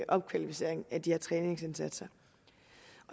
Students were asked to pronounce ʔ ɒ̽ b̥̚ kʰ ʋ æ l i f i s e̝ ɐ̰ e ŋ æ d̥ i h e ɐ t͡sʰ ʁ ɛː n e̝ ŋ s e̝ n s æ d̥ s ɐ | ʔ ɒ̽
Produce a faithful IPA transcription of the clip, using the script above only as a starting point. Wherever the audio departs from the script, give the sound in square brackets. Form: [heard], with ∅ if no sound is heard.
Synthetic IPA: ʔ ɒ̽ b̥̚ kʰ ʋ æ l i f i s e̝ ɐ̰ e ŋ æ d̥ i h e ɐ t͡sʰ ʁ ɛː n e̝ ŋ s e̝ n s æ d̥ s ɐ | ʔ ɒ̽